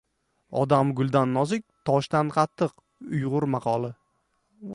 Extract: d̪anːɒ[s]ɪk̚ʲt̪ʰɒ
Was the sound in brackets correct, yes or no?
no